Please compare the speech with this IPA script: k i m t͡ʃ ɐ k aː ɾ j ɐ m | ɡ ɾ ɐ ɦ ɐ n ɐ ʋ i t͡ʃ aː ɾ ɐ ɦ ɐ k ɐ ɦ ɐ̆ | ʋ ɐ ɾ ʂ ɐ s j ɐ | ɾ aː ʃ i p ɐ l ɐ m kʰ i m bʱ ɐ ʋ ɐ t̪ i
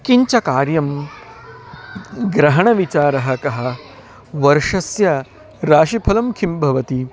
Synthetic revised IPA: k i ɲ t͡ʃ ɐ k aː ɾ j ɐ m | ɡ ɾ ɐ ɦ ɐ ɳ ɐ ʋ i t͡ʃ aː ɾ ɐ ɦ ɐ k ɐ ɦ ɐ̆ | ʋ ɐ ɾ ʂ ɐ s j ɐ | ɾ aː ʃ i pʰ ɐ l ɐ m kʰ i m bʱ ɐ ʋ ɐ t̪ i